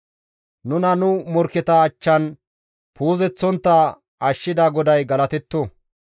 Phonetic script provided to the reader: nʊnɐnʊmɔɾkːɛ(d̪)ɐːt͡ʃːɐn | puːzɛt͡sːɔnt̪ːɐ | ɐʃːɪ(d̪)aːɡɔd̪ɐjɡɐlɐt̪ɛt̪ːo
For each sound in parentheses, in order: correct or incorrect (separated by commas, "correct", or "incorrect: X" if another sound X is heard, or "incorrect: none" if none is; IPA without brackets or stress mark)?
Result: incorrect: t̪, correct